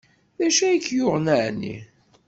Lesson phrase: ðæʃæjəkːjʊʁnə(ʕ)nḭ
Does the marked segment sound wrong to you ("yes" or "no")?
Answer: no